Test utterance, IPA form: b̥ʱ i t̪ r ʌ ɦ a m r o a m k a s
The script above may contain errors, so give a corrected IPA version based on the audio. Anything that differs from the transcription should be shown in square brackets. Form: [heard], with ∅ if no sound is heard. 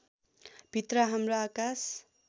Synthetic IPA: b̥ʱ i t̪ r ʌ ɦ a m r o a [∅] k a s

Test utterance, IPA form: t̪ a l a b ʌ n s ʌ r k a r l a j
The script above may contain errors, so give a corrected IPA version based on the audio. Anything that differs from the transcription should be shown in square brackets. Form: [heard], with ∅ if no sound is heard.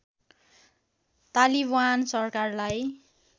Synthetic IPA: t̪ a l [i] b [a] n s ʌ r k a r l a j

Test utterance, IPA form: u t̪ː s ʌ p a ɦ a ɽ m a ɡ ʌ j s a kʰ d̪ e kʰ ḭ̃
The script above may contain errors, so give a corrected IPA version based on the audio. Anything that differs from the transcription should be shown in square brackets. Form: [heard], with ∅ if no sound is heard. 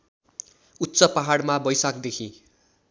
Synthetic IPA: u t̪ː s ʌ p a ɦ a ɽ m a [b] ʌ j s a [k] d̪ e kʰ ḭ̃

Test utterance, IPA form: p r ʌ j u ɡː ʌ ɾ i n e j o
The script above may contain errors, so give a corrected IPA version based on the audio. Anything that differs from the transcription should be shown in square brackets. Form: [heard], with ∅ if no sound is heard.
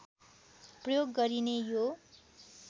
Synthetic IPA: p r ʌ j [o] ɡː ʌ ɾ i n e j o

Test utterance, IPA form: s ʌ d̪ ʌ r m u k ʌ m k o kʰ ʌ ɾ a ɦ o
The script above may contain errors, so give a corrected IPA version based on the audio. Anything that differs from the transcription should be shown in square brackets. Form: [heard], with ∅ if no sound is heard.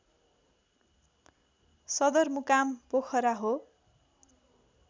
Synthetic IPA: s ʌ d̪ ʌ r m u k [a] m [p] o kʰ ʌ ɾ a ɦ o

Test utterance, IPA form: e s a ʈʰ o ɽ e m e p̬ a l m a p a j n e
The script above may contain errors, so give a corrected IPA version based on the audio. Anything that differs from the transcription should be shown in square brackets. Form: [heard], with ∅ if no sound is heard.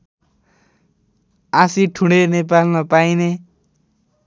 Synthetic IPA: [a] s [i] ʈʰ [u] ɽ e [n] e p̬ a l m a p a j n e

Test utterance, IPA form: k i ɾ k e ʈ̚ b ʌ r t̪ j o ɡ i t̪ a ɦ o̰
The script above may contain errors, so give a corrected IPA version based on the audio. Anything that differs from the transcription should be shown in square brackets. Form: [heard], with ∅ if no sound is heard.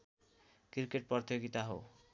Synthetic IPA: k i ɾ k e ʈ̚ [p] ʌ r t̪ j o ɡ i t̪ a ɦ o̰

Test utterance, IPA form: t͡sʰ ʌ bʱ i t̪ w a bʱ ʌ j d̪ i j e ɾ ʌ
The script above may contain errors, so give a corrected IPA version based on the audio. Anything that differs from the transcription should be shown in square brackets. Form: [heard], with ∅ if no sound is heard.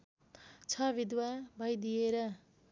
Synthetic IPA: t͡sʰ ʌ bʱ i [d̪] w a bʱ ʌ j d̪ i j e ɾ ʌ

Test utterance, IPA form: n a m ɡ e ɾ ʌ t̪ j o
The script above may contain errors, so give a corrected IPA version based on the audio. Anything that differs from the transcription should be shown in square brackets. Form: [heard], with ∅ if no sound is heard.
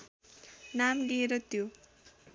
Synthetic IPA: n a m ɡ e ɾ ʌ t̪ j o

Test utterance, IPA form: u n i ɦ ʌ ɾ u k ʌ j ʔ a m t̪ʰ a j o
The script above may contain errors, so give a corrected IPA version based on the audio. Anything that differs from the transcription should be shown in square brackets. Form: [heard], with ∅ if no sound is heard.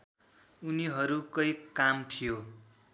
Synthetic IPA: u n i ɦ ʌ ɾ u k ʌ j [k] a m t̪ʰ [i] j o

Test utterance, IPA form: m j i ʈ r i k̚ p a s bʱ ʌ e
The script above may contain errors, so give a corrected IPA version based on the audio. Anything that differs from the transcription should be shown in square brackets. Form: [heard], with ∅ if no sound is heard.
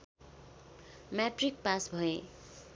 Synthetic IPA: m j [a] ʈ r i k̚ p a s bʱ ʌ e

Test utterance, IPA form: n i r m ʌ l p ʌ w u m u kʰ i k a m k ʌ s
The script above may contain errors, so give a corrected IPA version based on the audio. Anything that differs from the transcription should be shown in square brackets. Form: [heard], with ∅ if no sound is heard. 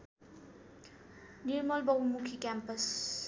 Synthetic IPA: n i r m ʌ l [b] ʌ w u m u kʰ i k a m [p] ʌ s

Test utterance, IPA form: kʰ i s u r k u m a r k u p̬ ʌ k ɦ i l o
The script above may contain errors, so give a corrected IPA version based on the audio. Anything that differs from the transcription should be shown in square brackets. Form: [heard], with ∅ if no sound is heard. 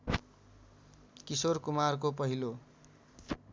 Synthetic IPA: [k] i s [o] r k u m a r k [o] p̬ ʌ [∅] ɦ i l o

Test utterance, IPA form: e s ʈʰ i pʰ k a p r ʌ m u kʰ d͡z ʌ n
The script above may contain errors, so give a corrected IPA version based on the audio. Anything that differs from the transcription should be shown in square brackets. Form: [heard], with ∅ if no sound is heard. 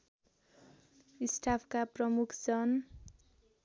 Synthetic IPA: [i] s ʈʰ [a] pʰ k a p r ʌ m u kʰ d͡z ʌ n

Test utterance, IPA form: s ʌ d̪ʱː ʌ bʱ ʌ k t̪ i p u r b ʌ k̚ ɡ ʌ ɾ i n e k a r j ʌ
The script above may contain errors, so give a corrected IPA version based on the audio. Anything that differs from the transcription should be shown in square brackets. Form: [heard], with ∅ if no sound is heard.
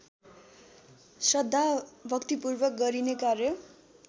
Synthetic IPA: s ʌ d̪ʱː [a] bʱ ʌ k t̪ i p u r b ʌ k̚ ɡ ʌ ɾ i n e k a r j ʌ

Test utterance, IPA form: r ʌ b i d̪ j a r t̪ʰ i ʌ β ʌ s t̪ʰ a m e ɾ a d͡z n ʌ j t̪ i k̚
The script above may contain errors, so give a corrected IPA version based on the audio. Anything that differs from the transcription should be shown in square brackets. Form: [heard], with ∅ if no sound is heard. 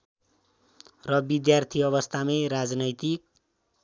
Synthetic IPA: r ʌ b i d̪ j a r t̪ʰ i ʌ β ʌ s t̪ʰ a m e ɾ a d͡z n ʌ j t̪ i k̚

